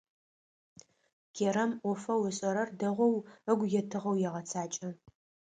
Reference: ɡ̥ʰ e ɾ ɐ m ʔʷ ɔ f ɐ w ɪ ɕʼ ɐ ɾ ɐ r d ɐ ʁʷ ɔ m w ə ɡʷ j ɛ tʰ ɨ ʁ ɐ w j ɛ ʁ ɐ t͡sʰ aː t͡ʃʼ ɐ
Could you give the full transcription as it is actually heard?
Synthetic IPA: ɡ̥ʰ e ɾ ɐ m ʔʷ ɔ f ɐ w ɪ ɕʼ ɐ ɾ ɐ r d ɐ ʁʷ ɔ w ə ɡʷ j ɛ tʰ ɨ ʁ ɐ w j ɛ ʁ ɐ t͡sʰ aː t͡ʃʼ ɐ